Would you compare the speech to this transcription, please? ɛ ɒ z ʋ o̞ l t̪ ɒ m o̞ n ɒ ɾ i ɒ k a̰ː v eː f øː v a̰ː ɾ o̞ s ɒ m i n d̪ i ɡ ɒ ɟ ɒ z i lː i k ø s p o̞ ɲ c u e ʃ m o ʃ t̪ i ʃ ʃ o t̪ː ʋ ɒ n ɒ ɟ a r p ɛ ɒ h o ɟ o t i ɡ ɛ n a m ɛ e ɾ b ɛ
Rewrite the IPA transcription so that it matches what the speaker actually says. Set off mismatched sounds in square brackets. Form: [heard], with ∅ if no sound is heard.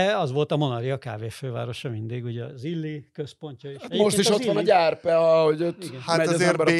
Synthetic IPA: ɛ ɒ z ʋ o̞ l t̪ ɒ m o̞ n ɒ ɾ i ɒ k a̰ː v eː f øː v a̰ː ɾ o̞ [ʃ] ɒ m i n d̪ i ɡ [u] ɟ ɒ z i lː i k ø s p o̞ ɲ c [ɒ] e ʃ m o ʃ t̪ i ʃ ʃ o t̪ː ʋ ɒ n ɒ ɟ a r p ɛ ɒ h o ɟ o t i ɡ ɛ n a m ɛ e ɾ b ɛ